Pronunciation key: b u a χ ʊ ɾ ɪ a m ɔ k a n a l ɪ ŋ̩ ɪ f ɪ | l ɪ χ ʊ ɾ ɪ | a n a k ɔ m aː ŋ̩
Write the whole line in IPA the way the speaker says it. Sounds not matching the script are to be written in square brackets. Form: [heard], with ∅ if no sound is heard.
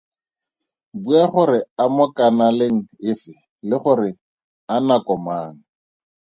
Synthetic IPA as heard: b u a χ ʊ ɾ ɪ a m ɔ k a n a l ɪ ŋ̩ ɪ f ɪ | l ɪ χ ʊ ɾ ɪ | a n a k ɔ m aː ŋ̩